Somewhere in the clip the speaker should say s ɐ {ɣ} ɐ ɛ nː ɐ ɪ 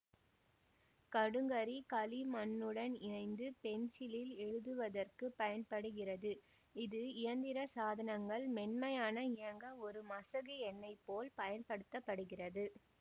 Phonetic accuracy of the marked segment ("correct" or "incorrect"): correct